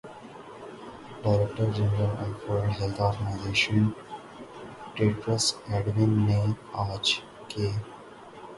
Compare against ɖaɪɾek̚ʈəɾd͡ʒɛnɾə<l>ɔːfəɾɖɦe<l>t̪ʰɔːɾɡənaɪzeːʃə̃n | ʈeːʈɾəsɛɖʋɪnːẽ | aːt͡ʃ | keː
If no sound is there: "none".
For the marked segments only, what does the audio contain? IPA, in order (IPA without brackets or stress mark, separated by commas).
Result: l, l